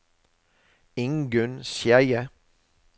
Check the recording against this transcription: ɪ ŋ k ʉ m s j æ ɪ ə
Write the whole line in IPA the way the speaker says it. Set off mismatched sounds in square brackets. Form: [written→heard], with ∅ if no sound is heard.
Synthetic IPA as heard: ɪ ŋ [k→ɡ] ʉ [m→n] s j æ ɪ ə

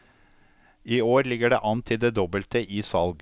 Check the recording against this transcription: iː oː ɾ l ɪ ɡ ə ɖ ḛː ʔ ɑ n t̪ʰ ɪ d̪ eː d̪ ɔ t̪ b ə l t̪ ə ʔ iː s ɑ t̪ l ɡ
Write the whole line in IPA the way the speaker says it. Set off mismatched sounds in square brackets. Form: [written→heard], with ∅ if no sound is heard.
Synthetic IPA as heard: iː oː ɾ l ɪ ɡ ə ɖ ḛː ʔ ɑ n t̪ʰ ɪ d̪ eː d̪ ɔ [t̪→∅] b ə l t̪ ə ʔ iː s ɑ [t̪→∅] l ɡ

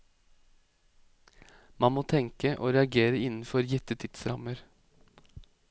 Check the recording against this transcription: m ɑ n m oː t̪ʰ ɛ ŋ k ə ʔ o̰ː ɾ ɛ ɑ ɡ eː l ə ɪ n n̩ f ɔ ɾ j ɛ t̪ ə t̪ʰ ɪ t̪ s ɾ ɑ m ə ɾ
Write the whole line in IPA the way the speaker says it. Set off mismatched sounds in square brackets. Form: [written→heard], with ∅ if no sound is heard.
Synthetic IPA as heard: m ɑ n m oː t̪ʰ ɛ ŋ k ə ʔ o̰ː ɾ ɛ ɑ ɡ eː [l→ɾ] ə ɪ n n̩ f ɔ ɾ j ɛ t̪ ə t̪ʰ ɪ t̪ s ɾ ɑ m ə ɾ

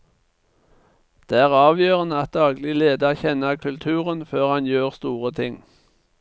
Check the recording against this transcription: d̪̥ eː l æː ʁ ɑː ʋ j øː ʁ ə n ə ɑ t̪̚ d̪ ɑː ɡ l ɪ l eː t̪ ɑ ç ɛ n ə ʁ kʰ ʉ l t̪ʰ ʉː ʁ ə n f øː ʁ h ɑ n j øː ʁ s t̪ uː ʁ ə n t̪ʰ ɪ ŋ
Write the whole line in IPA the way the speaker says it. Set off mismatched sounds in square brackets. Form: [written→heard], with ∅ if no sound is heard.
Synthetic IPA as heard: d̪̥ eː [l→∅] æː ʁ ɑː ʋ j øː ʁ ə n ə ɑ t̪̚ d̪ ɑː ɡ l ɪ l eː [t̪→d̪] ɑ ç ɛ n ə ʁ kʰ ʉ l t̪ʰ ʉː ʁ ə n f øː ʁ h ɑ n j øː ʁ s t̪ uː ʁ ə [n→∅] t̪ʰ ɪ ŋ

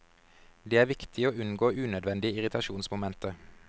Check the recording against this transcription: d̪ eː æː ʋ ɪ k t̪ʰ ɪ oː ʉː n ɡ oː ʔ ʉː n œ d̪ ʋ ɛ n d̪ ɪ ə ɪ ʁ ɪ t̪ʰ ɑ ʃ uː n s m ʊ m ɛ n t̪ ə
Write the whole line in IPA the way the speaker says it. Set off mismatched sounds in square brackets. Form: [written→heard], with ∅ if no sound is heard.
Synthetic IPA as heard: d̪ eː æː ʋ ɪ k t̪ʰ ɪ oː [ʉː→ʉ] n ɡ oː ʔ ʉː n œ d̪ ʋ ɛ n d̪ ɪ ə ɪ ʁ ɪ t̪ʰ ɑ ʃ uː n s m ʊ m ɛ n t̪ ə

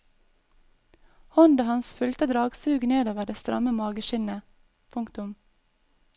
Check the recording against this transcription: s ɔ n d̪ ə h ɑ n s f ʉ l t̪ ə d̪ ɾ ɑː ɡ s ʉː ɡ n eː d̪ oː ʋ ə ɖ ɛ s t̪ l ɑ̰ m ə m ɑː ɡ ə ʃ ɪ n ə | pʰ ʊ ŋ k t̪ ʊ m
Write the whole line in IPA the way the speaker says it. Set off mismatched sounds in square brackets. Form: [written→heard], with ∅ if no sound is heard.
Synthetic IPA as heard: [s→h] ɔ n d̪ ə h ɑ n s f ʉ l t̪ ə d̪ ɾ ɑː ɡ s ʉː ɡ n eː d̪ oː ʋ ə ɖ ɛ s t̪ [l→ɾ] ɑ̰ m ə m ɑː ɡ ə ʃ ɪ n ə | pʰ ʊ ŋ k t̪ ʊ m

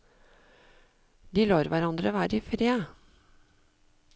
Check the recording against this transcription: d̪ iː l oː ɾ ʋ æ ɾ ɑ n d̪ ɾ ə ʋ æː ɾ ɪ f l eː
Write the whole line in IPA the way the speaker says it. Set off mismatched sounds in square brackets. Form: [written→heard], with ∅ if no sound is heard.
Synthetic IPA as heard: d̪ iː l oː ɾ ʋ æ ɾ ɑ n d̪ ɾ ə ʋ æː ɾ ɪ f [l→ɾ] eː

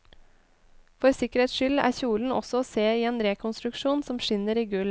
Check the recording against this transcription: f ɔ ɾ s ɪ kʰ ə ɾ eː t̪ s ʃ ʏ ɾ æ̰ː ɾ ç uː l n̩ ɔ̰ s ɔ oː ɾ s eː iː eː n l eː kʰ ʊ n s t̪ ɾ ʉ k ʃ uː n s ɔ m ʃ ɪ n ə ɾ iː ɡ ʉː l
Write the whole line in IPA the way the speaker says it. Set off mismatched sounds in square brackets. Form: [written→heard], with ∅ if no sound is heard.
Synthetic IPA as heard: f ɔ ɾ s ɪ [kʰ→k] ə ɾ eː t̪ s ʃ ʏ [ɾ→l] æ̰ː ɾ ç uː l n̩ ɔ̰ s ɔ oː [ɾ→∅] s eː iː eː n [l→ɾ] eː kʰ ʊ n s t̪ ɾ ʉ k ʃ uː n s ɔ m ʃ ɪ n ə ɾ iː ɡ [ʉː→ʉ] l

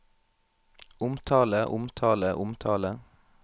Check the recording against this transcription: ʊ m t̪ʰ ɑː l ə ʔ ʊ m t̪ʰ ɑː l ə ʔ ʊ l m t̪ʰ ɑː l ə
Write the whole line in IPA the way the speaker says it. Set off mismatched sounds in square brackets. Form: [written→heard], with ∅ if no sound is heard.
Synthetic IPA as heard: ʊ m t̪ʰ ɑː l ə ʔ ʊ m t̪ʰ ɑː l ə ʔ ʊ [l→∅] m t̪ʰ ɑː l ə

